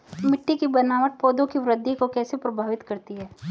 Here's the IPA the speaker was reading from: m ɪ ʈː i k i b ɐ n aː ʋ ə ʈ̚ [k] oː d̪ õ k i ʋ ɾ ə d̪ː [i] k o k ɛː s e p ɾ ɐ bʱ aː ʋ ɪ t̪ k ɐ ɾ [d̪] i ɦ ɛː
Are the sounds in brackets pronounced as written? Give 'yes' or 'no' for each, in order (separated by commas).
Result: no, yes, no